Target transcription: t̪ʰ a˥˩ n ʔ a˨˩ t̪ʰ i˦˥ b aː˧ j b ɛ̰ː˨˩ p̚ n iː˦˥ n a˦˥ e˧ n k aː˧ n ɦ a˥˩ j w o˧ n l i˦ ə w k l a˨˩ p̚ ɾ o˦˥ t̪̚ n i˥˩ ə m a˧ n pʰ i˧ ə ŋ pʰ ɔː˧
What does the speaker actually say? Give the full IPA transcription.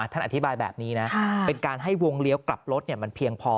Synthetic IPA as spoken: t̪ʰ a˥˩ n ʔ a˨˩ t̪ʰ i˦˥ b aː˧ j b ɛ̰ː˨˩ p̚ n iː˦˥ n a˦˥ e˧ n k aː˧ n ɦ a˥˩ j w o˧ ŋ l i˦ ə w k l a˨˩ p̚ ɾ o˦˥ t̪̚ n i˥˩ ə m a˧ n pʰ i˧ ə ŋ pʰ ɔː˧